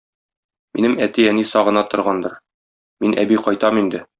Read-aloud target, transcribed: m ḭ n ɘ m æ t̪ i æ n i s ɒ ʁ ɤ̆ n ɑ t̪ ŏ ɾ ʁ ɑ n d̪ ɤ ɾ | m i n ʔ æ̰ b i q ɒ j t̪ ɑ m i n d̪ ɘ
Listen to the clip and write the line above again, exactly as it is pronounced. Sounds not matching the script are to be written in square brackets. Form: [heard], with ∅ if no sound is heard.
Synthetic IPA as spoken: m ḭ n ɘ m æ t̪ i æ n i s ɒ ʁ ɤ̆ n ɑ t̪ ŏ ɾ ʁ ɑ n d̪ ɤ ɾ | m i n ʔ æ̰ b i q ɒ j t̪ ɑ m i n d̪ ɘ